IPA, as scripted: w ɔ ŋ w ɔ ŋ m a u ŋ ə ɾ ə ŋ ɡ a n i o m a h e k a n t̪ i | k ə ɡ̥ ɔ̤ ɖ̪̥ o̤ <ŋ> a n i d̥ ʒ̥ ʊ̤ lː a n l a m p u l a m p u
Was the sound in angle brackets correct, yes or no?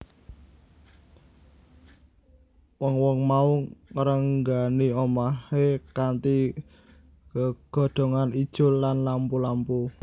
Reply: yes